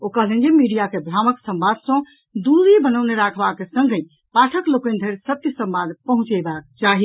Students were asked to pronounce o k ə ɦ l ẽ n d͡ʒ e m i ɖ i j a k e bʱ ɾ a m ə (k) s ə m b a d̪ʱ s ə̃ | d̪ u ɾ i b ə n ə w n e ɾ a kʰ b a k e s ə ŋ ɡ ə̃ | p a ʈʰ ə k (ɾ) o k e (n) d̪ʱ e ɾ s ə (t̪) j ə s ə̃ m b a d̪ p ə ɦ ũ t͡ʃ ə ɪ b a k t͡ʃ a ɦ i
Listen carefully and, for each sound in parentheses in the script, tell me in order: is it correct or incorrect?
correct, incorrect: l, correct, correct

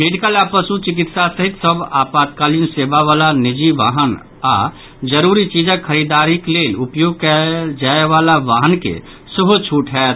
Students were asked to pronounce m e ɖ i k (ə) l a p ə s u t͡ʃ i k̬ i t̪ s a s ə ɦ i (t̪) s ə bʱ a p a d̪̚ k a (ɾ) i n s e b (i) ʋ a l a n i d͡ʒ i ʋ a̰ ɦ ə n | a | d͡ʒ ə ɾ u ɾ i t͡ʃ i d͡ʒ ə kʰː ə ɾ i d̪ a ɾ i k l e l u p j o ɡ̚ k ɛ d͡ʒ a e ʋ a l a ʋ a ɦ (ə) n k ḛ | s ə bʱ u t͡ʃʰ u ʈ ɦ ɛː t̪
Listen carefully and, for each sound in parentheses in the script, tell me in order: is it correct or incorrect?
correct, correct, incorrect: l, incorrect: a, correct

